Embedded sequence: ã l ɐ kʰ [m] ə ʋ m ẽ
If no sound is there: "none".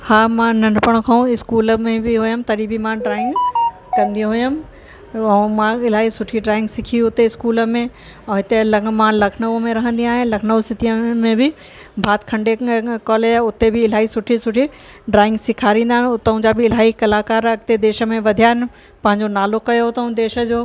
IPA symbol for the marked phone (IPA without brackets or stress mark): n